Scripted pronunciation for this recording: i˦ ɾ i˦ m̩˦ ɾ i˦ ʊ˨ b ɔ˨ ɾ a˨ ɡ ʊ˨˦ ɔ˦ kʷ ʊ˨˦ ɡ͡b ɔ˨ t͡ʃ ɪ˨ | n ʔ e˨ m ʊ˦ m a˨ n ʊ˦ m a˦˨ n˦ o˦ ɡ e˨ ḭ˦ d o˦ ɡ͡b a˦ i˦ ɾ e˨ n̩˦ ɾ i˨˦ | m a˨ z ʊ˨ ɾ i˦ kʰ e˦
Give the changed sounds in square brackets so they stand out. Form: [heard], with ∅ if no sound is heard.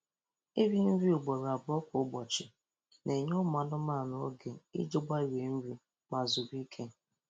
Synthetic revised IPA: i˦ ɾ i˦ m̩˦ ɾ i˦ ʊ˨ [ɡ͡b] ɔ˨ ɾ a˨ [b] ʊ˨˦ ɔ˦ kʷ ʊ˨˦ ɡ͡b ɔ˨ t͡ʃ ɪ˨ | n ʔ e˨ [ɲ] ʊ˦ m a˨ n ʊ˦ m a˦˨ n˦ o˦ ɡ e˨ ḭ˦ [d͡ʒ] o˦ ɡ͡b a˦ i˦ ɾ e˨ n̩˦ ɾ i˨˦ | m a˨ z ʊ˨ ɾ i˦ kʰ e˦